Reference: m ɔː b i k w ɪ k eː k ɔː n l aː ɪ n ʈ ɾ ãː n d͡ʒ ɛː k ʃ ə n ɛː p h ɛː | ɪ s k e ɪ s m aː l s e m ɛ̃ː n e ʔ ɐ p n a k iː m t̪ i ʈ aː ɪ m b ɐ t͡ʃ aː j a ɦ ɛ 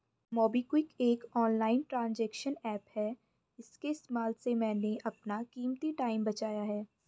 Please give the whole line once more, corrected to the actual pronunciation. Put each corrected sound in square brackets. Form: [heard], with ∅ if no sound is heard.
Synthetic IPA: m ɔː b i k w ɪ k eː k ɔː n l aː ɪ n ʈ ɾ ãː n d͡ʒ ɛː k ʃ ə n ɛː p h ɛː | ɪ s k e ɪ s m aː l s e m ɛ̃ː n e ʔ ɐ p n a k iː m t̪ i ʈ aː ɪ m b ɐ t͡ʃ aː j a ɦ [ɛː]